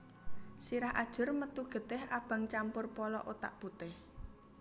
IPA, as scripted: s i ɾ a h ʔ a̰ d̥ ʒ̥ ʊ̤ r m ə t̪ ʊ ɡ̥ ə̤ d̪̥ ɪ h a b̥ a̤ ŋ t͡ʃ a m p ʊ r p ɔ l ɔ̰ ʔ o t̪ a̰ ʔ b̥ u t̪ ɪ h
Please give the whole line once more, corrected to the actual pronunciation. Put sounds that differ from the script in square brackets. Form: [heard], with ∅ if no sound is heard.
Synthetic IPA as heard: s i ɾ a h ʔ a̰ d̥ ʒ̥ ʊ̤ r m ə t̪ [u] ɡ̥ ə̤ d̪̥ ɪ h a b̥ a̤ ŋ t͡ʃ a m p ʊ r p ɔ l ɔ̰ ʔ o t̪ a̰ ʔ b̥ u t̪ ɪ h